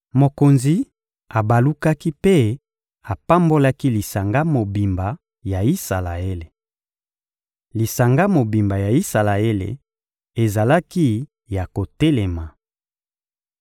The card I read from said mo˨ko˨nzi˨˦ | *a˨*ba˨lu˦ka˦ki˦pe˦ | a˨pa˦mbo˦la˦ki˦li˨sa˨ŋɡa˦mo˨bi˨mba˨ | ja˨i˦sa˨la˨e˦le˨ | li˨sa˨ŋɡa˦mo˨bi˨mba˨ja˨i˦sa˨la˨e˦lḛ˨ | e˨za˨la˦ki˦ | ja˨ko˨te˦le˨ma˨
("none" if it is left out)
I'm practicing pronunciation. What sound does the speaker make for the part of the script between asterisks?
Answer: a˨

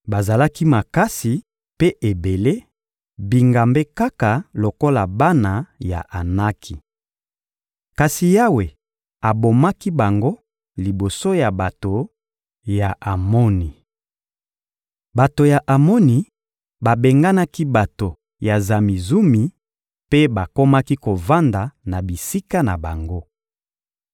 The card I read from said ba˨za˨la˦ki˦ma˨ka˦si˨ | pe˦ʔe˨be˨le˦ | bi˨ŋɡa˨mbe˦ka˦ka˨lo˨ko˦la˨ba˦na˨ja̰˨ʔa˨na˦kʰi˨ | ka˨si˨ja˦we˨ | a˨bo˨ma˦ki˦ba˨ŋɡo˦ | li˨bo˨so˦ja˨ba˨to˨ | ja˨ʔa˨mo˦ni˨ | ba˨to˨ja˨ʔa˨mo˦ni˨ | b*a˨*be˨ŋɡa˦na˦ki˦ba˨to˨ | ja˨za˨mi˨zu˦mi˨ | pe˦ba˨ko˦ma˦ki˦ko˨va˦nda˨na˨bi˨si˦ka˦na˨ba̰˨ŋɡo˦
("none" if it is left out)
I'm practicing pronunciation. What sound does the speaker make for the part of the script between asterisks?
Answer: a˨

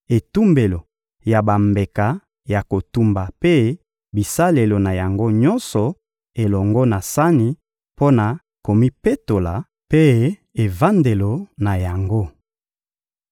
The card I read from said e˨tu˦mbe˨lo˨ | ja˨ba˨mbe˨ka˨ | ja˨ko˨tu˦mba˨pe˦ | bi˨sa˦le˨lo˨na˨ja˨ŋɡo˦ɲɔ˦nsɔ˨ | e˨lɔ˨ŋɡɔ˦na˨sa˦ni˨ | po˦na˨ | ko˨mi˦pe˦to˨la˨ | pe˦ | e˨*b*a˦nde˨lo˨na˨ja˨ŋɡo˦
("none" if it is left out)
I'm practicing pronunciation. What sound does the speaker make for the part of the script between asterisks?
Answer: v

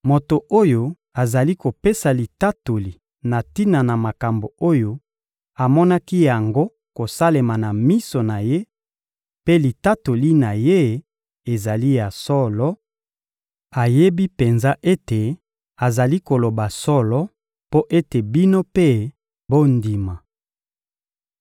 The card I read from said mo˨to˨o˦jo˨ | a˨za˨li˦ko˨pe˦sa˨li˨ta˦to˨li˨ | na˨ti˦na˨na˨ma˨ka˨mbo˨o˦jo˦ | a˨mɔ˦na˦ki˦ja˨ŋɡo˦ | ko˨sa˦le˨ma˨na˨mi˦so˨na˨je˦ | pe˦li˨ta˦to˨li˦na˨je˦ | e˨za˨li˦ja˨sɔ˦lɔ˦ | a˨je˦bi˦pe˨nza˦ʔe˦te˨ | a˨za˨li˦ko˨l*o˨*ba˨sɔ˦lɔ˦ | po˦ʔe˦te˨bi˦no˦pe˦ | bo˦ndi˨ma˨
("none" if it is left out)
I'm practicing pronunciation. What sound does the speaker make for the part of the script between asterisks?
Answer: o˨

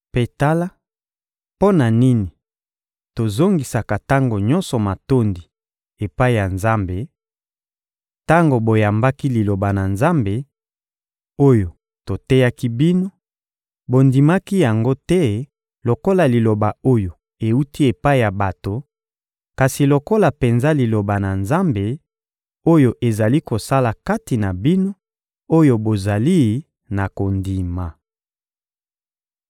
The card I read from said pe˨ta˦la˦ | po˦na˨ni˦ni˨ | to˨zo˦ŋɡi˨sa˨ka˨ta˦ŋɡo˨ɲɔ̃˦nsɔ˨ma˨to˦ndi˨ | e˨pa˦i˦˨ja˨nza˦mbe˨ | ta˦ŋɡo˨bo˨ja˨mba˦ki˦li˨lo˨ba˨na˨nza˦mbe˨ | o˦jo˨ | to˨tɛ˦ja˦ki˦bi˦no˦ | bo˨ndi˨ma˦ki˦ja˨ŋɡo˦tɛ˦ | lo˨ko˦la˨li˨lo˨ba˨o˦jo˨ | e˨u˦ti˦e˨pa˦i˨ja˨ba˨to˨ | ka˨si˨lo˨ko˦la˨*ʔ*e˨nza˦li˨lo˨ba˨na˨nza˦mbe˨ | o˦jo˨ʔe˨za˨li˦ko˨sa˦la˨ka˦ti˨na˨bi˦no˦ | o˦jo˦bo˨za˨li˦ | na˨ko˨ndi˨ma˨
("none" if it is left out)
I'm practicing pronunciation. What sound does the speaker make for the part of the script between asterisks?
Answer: p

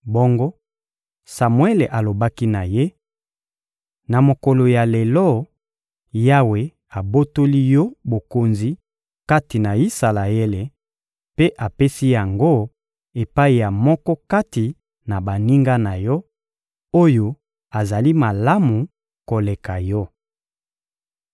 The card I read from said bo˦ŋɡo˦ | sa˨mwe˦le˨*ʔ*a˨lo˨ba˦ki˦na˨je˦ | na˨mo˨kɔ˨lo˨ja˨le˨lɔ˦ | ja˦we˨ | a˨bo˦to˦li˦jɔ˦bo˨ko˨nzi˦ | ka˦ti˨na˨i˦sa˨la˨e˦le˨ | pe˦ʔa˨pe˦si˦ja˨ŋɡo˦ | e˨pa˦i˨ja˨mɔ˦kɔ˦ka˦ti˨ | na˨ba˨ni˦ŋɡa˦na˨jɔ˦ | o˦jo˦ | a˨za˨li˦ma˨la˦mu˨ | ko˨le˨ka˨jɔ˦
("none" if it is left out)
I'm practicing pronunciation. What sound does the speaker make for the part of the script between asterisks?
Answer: ʔ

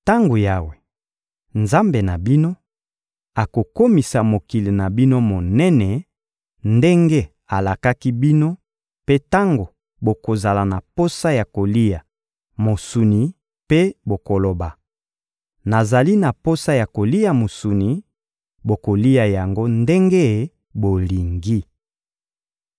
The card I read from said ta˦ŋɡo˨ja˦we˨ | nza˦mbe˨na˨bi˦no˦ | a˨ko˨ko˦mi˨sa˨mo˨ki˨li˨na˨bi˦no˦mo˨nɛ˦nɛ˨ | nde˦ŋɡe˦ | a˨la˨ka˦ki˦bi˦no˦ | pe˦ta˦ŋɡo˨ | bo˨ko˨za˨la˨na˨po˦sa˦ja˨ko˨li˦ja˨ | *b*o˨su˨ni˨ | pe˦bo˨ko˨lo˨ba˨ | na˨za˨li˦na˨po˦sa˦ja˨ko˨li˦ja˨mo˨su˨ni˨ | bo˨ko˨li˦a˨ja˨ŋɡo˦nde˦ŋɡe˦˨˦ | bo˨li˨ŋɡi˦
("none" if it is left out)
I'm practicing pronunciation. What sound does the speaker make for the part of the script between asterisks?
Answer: m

